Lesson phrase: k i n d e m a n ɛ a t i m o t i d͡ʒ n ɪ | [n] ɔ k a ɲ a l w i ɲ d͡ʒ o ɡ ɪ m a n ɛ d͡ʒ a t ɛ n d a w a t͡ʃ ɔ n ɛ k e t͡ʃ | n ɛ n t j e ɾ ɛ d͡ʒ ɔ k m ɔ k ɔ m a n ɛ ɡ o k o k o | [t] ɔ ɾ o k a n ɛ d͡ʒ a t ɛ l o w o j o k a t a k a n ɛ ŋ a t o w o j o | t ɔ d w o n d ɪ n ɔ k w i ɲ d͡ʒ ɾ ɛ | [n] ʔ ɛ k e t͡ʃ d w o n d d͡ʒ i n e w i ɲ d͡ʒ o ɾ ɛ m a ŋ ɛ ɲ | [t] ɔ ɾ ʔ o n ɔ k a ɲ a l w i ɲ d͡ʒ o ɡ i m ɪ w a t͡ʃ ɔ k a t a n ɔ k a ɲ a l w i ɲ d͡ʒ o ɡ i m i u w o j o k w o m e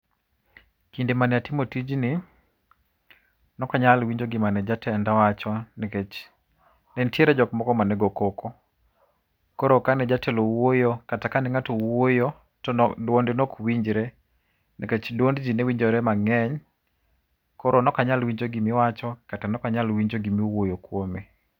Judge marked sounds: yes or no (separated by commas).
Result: yes, no, yes, no